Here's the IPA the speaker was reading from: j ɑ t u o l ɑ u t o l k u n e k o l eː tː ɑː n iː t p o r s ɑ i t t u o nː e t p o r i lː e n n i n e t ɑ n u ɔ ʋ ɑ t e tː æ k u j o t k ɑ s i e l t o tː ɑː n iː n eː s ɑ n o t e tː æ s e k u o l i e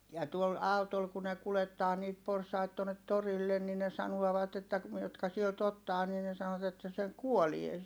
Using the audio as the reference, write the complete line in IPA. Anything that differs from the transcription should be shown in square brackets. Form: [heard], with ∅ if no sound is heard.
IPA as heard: j ɑ t u o l ɑ u t o l k u n e k [u] l [e] tː ɑː n iː t p o r s ɑ i t t u o nː e t [t] o r i lː e n n i n e [s] ɑ n u ɔ ʋ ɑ t e tː æ k u j o t k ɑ s i e l t o tː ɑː n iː n [e] s ɑ n o t e tː æ s e k u o l i e